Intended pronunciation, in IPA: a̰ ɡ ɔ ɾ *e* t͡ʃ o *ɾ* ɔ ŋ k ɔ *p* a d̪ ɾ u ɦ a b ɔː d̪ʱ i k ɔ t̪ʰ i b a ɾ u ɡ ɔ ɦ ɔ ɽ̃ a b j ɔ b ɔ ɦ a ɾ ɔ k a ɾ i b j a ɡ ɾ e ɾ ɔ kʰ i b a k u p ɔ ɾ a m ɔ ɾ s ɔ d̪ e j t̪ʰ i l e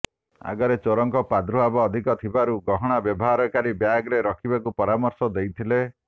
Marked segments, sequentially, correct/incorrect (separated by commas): correct, correct, correct